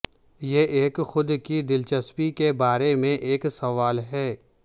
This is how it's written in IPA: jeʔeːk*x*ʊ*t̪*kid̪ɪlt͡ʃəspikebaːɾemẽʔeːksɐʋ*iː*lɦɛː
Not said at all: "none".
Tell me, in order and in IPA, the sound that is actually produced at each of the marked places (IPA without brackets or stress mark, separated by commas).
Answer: x, d̪, aː